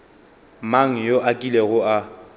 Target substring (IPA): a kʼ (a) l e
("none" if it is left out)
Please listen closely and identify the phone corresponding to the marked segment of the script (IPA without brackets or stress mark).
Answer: i